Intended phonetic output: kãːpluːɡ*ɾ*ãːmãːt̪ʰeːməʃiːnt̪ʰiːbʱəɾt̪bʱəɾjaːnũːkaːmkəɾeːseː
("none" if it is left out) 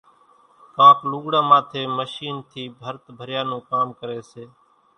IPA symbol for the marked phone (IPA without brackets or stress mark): ɽ